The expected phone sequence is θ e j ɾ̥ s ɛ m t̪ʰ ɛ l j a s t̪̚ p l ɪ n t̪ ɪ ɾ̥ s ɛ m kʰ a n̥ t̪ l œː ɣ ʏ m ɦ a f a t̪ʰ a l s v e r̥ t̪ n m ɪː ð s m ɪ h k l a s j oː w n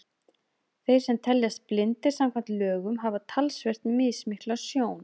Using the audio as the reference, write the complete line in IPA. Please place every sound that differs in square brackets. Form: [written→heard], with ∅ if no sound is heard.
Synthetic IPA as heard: θ e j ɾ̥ s ɛ m t̪ʰ ɛ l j a s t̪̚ p l ɪ n t̪ ɪ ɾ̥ s [ɛ→a] m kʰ a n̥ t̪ l œː ɣ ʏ m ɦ a [f→v] a t̪ʰ a l s v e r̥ t̪ n m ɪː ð s m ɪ h k l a s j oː w n